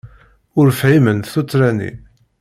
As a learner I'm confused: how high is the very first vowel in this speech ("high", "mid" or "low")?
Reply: high